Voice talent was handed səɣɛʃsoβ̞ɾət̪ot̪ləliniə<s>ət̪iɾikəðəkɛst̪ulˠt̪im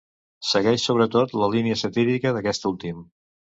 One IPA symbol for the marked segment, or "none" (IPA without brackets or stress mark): s